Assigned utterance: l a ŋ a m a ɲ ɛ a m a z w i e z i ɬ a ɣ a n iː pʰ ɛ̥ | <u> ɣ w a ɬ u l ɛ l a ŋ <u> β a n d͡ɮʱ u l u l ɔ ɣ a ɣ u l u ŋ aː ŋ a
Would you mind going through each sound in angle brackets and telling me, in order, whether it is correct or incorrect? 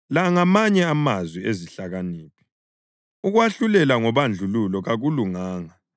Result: correct, incorrect

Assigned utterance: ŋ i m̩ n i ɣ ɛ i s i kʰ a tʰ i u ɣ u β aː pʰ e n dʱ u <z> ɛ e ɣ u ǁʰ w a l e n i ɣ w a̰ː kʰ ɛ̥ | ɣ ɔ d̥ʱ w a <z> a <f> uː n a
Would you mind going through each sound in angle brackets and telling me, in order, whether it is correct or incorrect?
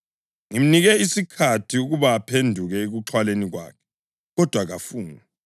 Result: incorrect, incorrect, correct

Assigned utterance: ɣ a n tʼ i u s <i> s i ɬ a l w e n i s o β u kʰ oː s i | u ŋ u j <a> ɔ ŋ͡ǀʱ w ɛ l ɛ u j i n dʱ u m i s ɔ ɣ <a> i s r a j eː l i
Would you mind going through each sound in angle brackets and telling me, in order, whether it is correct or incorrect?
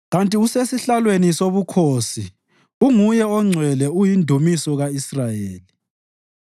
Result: incorrect, incorrect, correct

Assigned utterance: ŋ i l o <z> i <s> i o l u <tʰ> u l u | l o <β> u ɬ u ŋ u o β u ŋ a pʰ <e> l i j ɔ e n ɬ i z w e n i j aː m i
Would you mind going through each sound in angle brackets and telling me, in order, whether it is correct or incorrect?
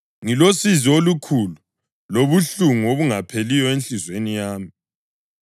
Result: incorrect, incorrect, incorrect, correct, correct

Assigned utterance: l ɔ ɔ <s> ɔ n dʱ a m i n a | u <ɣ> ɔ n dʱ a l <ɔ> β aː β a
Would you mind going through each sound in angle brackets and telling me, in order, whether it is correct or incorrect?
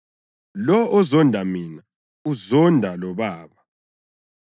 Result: incorrect, incorrect, correct

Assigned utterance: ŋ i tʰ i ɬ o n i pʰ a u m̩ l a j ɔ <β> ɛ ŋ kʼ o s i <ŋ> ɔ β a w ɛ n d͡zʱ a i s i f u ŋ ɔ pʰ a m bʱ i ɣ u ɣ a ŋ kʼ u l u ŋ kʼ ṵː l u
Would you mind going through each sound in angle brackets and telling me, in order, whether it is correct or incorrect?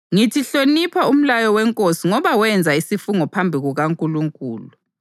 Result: incorrect, correct

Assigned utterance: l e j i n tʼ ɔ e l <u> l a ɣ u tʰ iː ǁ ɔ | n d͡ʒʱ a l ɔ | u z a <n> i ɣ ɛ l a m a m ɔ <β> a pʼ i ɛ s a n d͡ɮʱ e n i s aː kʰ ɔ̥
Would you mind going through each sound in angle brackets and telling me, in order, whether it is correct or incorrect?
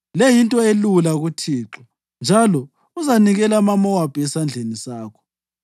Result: correct, correct, incorrect

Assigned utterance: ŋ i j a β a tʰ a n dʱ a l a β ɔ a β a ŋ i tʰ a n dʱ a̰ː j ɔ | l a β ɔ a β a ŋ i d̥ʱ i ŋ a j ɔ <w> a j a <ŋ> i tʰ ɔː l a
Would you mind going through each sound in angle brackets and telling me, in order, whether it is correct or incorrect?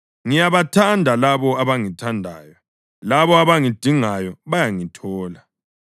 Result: incorrect, correct

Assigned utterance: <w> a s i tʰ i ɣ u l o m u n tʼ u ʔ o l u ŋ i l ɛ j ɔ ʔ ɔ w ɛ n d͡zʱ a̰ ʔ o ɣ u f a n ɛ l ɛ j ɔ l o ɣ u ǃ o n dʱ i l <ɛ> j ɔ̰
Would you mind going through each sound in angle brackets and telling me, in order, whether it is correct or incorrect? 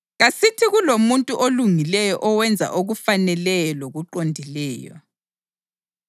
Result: incorrect, incorrect

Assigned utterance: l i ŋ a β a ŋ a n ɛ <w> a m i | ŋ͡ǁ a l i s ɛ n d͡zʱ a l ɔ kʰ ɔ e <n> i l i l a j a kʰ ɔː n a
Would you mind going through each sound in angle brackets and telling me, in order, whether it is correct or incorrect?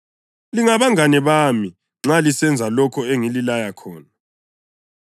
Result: incorrect, incorrect

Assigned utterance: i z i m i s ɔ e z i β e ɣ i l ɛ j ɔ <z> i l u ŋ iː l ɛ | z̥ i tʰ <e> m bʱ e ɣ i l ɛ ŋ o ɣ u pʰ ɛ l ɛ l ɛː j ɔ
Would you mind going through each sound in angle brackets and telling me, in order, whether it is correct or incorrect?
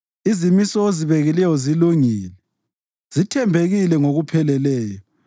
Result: correct, incorrect

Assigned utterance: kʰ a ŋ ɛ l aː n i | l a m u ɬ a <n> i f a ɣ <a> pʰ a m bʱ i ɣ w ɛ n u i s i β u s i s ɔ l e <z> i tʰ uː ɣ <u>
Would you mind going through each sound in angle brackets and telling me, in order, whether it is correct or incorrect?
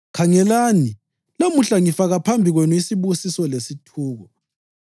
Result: incorrect, correct, incorrect, incorrect

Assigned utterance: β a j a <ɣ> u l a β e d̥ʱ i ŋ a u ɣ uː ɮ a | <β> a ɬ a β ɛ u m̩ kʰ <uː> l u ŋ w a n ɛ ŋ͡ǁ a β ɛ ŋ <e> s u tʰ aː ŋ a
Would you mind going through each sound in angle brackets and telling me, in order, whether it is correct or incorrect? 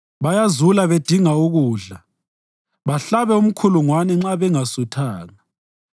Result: incorrect, correct, incorrect, incorrect

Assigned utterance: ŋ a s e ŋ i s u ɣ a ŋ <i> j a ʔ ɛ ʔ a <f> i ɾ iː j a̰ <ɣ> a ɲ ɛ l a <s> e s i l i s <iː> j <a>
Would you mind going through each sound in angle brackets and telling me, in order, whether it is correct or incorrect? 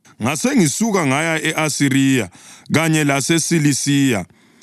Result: incorrect, incorrect, correct, correct, correct, correct

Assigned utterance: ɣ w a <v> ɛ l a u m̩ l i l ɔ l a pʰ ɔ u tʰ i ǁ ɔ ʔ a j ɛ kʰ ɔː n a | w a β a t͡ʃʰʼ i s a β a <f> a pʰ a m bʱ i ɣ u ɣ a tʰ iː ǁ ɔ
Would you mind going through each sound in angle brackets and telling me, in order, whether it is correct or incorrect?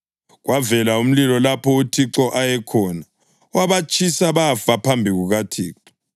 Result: correct, correct

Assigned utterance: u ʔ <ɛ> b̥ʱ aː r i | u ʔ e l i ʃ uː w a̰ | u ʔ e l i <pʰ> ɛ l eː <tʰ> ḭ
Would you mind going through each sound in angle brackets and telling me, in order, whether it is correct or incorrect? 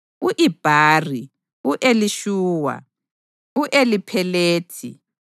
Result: incorrect, correct, correct

